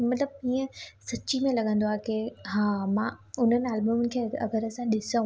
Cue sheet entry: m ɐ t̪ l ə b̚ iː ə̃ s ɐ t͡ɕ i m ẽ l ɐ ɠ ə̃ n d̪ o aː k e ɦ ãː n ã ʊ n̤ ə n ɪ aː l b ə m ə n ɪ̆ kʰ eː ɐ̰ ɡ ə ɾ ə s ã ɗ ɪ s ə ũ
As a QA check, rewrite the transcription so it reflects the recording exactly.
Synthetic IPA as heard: m ɐ t̪ l ə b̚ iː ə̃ s ɐ t͡ɕ i m ẽ l ɐ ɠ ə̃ n d̪ o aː k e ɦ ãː m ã ʊ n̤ ə n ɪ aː l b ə m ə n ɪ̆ kʰ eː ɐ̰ ɡ ə ɾ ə s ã ɗ ɪ s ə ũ